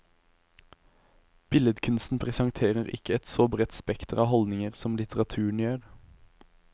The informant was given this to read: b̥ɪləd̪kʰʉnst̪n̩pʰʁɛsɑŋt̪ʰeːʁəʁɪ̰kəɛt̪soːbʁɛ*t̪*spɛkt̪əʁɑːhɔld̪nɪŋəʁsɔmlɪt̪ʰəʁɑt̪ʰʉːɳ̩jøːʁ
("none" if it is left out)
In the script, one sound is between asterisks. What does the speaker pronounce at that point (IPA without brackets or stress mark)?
t̪